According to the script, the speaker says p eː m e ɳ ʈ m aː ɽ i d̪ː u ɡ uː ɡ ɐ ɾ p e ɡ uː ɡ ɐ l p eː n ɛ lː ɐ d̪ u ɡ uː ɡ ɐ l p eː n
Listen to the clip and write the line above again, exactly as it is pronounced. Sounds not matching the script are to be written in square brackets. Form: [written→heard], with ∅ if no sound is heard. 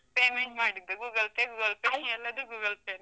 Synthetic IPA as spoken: p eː m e ɳ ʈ m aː ɽ i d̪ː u ɡ uː ɡ ɐ [ɾ→l] p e ɡ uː ɡ ɐ l p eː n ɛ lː ɐ d̪ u ɡ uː ɡ ɐ l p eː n

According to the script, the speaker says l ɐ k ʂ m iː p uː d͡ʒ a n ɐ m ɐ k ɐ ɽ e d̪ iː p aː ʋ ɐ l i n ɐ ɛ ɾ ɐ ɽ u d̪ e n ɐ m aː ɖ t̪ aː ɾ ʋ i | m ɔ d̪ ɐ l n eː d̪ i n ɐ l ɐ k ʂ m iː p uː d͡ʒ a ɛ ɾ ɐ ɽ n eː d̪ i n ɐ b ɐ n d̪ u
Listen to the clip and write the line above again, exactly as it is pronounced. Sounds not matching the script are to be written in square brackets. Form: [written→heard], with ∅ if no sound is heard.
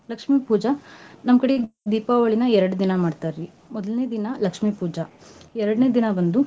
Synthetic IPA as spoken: l ɐ k ʂ m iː p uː d͡ʒ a n ɐ m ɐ k ɐ ɽ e d̪ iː p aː ʋ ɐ [l→ɭ] i n ɐ ɛ ɾ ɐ ɽ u d̪ [e→i] n ɐ m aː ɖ t̪ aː ɾ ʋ i | m ɔ d̪ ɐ l n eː d̪ i n ɐ l ɐ k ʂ m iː p uː d͡ʒ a ɛ ɾ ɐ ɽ n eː d̪ i n ɐ b ɐ n d̪ u

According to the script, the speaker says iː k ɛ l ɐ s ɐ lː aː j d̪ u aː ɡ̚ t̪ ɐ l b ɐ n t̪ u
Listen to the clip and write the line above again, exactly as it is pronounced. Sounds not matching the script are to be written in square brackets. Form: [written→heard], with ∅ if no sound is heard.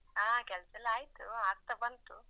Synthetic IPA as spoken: [iː→aː] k ɛ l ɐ s ɐ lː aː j [d̪→t̪] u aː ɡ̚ t̪ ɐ [l→∅] b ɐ n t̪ u

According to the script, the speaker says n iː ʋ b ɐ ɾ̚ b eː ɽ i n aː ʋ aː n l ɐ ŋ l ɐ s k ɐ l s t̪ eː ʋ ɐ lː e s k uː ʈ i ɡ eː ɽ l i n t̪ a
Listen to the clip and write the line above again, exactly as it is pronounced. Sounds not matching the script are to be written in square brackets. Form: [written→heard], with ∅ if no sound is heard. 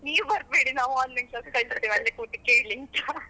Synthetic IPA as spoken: n iː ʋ b ɐ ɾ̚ b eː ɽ i n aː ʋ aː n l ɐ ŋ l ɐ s k ɐ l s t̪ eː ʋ ɐ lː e [s→∅] k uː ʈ i [ɡ→k] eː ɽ l i n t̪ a

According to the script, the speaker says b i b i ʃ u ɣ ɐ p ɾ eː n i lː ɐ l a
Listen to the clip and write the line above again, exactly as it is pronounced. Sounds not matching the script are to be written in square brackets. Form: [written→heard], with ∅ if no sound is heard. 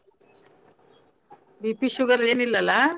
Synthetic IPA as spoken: b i [b→p] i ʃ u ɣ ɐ [p→∅] ɾ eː n i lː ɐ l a

